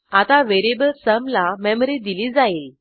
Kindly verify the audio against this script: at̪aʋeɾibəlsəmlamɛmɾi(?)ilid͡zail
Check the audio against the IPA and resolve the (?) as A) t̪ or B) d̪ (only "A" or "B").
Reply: B